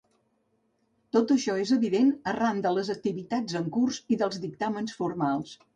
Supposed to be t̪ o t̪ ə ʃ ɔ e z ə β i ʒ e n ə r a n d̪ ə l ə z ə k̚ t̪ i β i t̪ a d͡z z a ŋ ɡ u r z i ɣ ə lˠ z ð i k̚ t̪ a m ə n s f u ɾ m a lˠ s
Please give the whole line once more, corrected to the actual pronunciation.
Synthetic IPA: t̪ o t̪ ə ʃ ɔ e z ə β i ð e n ə r a n d̪ ə l ə z ə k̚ t̪ i β i t̪ a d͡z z ə ŋ k u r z i ð ə lˠ z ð i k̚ t̪ a m ə n s f u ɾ m a lˠ s